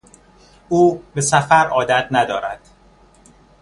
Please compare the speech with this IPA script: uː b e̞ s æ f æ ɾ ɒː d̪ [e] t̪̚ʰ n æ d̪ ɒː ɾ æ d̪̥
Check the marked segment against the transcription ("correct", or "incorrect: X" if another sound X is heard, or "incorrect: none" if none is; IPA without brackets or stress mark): incorrect: æ